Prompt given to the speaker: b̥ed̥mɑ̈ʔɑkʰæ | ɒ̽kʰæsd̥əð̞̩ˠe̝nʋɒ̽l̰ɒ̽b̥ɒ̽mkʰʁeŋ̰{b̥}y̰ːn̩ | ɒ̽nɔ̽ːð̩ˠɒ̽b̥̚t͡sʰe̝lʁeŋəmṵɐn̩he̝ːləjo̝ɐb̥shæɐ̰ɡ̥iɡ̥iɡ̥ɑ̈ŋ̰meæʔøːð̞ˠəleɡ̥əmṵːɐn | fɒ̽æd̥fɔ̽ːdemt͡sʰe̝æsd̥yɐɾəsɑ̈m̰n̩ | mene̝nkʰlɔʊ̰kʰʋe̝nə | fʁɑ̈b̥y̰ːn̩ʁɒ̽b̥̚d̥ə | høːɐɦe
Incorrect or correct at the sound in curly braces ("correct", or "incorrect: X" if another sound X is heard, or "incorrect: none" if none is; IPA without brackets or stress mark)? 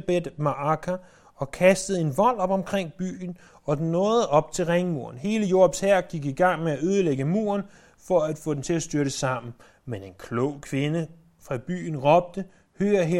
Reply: correct